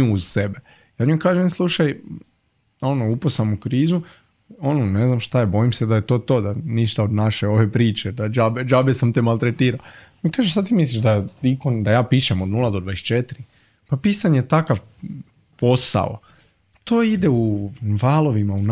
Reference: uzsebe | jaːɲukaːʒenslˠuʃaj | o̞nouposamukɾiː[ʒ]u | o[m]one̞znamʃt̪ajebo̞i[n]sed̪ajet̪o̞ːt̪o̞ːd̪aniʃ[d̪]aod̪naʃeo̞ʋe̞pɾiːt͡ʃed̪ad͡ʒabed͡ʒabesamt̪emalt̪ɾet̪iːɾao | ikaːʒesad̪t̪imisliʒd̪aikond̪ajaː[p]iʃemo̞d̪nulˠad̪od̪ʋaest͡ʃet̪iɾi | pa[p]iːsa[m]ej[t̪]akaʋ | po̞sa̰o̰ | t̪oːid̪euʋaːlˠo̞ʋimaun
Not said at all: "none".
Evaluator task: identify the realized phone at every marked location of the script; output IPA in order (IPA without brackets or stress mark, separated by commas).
z, n, m, t̪, p, p, ɲ, t̪